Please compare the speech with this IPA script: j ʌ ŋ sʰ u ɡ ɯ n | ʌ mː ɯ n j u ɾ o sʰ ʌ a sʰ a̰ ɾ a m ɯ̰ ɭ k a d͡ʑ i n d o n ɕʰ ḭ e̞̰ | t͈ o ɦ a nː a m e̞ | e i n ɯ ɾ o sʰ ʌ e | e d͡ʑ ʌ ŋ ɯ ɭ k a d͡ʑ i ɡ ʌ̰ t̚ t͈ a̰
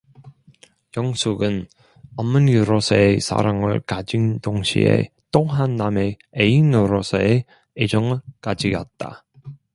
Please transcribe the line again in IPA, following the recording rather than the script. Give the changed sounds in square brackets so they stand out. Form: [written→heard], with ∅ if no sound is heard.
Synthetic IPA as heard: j ʌ ŋ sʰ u ɡ ɯ n | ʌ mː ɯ n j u ɾ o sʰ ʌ [a→e] sʰ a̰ ɾ a [m→ŋ] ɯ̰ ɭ k a d͡ʑ i n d o [n→ŋ] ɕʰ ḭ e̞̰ | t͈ o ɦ a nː a m e̞ | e i n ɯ ɾ o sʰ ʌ e | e d͡ʑ ʌ ŋ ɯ ɭ k a d͡ʑ i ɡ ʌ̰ t̚ t͈ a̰